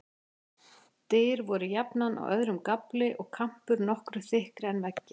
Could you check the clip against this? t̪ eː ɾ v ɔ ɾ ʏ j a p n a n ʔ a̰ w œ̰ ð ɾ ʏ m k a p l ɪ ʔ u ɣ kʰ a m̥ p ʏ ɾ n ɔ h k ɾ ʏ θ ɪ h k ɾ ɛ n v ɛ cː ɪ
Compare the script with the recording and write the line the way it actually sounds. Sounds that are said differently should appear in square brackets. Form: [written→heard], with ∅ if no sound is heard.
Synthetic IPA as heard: t̪ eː ɾ v ɔ ɾ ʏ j a p n a n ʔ a̰ w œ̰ ð ɾ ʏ m k a p l ɪ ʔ [u→ɔ] ɣ kʰ a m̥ p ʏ ɾ n ɔ h k ɾ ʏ θ ɪ h k ɾ ɛ n v ɛ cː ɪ